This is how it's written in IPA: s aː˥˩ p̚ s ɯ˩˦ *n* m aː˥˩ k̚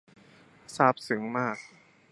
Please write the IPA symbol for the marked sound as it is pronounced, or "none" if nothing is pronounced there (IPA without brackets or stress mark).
ŋ